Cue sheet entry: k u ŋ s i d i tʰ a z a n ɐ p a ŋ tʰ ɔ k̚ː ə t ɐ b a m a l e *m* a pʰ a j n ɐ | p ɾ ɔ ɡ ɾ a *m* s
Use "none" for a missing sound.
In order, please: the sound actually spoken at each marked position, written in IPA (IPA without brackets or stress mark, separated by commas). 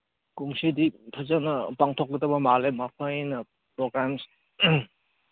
m, m